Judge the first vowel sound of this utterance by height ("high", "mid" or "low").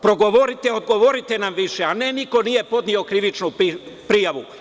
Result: mid